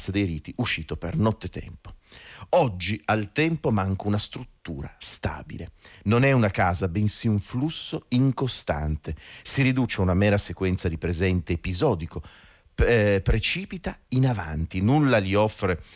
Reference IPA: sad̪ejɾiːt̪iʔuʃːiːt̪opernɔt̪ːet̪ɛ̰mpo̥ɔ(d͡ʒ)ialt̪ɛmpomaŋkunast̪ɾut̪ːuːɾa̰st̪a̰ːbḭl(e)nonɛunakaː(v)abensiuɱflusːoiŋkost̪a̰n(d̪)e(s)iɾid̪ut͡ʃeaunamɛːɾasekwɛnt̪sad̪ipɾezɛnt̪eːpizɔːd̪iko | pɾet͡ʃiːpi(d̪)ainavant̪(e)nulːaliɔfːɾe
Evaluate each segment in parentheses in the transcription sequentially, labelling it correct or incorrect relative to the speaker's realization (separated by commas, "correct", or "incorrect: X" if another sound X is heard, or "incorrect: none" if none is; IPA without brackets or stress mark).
incorrect: d͡ʒː, correct, incorrect: z, incorrect: t̪, correct, incorrect: t̪, incorrect: i